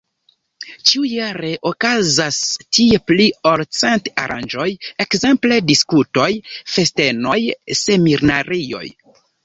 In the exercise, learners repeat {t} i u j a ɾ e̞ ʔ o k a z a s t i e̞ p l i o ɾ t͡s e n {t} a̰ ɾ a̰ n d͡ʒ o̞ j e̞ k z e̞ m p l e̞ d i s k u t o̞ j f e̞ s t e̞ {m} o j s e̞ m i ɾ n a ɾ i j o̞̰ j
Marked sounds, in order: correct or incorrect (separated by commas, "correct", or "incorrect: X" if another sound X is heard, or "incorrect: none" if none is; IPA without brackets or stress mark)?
incorrect: t͡ʃ, correct, incorrect: n